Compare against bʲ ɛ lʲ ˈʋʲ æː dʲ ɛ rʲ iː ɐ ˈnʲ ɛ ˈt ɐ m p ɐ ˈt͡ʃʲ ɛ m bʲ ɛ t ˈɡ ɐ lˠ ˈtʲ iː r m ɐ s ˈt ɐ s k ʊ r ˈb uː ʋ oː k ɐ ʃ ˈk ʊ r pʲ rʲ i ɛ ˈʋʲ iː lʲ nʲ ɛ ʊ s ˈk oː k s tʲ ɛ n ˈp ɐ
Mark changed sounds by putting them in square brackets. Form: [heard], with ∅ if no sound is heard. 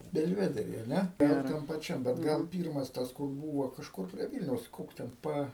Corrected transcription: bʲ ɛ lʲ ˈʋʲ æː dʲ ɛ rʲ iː ɐ ˈnʲ ɛ ˈt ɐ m p ɐ ˈt͡ʃʲ ɛ m bʲ ɛ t ˈɡ ɐ lˠ [ˈpʲ] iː r m ɐ s ˈt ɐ s k ʊ r ˈb uː ʋ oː k ɐ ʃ ˈk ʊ r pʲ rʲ i ɛ ˈʋʲ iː lʲ nʲ ɛ ʊ s ˈk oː k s tʲ ɛ n ˈp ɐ